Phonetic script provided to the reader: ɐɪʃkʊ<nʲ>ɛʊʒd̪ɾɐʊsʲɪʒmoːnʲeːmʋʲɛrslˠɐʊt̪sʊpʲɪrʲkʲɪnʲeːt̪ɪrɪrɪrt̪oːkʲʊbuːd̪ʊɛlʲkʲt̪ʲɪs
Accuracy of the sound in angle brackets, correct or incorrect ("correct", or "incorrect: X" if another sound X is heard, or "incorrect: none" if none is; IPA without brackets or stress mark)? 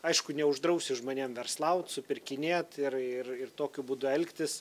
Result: correct